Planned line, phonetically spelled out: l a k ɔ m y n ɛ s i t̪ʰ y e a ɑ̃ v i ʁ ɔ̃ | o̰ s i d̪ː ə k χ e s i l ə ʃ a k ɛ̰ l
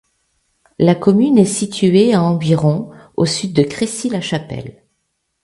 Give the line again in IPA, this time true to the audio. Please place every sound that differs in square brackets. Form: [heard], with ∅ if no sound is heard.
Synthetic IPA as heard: l a k ɔ m y n ɛ s i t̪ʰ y e a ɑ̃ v i ʁ ɔ̃ | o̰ s [y] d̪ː ə k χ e s i l [a] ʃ a [p] ɛ̰ l